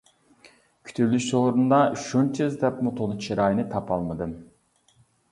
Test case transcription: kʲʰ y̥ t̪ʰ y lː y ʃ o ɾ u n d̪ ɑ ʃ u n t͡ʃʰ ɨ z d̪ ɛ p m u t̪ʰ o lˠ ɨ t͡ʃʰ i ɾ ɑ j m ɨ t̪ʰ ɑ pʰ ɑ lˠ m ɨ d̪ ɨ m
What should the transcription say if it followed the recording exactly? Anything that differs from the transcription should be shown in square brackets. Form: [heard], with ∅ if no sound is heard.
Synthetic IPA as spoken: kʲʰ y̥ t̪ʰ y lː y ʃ o ɾ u n d̪ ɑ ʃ u n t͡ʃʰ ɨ z d̪ ɛ p m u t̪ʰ o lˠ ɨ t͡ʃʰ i ɾ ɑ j [n] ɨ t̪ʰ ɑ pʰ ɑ lˠ m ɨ d̪ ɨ m